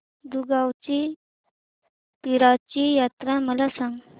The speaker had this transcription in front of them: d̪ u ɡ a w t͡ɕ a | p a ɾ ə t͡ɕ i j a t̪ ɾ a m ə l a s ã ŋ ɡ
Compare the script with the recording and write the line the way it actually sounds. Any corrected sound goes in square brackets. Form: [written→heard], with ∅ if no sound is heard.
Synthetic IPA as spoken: d̪ u ɡ a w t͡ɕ [a→i] | p [a→i] ɾ [ə→a] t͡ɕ i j a t̪ ɾ a m ə l a s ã ŋ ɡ